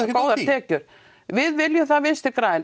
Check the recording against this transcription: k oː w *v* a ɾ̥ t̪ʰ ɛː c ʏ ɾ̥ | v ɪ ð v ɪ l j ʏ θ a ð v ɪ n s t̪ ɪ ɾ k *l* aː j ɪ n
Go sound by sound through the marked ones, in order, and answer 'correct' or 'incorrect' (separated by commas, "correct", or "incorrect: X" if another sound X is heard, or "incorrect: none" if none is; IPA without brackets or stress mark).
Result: incorrect: ð, incorrect: ɾ